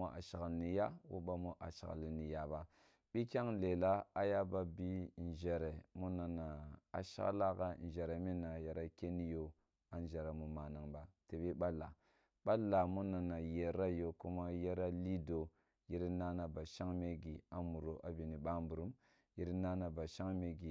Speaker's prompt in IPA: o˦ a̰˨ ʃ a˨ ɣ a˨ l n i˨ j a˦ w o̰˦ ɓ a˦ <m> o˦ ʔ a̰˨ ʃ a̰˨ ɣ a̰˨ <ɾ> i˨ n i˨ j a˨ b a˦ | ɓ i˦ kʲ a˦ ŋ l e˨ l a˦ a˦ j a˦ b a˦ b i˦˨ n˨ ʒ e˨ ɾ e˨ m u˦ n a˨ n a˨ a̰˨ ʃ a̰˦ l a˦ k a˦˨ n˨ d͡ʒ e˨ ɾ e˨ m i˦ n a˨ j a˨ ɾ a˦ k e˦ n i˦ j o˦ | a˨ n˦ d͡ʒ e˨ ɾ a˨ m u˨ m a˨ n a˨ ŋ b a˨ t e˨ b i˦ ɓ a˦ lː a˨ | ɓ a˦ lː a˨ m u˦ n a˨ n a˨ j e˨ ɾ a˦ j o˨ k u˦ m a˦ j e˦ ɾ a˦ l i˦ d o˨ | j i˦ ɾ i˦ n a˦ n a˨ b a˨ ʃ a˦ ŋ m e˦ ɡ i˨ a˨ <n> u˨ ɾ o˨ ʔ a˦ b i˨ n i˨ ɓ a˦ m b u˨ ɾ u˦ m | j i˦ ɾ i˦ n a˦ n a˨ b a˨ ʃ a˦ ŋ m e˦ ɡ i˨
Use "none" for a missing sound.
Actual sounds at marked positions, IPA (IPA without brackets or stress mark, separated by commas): m, l, m